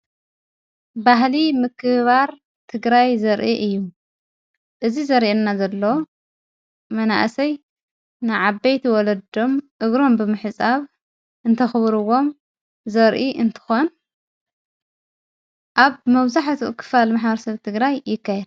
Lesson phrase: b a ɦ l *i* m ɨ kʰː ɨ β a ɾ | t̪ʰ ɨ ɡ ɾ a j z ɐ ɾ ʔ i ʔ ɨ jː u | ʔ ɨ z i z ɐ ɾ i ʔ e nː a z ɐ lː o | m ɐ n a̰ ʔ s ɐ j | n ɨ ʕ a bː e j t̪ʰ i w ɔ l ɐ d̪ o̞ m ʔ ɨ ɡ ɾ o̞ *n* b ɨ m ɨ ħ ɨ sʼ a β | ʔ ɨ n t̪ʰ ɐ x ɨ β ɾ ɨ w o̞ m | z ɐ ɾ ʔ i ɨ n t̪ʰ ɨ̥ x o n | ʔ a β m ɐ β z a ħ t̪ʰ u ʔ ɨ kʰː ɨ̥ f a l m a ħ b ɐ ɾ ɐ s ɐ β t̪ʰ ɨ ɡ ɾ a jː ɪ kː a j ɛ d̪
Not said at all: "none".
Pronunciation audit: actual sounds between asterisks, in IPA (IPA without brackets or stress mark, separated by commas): i, m